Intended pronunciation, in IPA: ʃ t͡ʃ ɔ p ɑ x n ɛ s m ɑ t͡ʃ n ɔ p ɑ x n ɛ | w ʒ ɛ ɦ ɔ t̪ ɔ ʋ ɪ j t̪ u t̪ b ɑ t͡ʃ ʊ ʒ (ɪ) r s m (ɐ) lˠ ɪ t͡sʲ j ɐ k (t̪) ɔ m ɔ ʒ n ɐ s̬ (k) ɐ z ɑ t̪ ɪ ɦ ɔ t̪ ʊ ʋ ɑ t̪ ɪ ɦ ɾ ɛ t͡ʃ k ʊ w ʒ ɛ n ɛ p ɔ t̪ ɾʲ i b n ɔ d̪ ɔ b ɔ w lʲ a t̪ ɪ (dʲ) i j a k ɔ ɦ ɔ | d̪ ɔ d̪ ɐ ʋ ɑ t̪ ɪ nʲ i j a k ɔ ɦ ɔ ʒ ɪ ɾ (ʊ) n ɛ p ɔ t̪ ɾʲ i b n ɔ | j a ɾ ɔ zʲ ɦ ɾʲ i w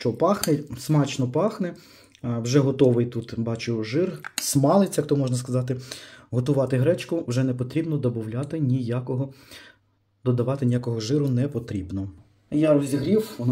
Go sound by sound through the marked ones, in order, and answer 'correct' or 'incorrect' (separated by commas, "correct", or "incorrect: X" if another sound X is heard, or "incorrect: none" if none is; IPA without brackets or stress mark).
correct, incorrect: ɑ, correct, correct, incorrect: nʲ, correct